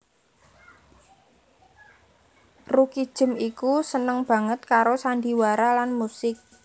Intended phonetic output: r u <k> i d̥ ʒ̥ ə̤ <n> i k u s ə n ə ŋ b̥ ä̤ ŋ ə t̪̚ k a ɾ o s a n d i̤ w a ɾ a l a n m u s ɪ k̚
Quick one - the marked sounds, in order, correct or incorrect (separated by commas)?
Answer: correct, incorrect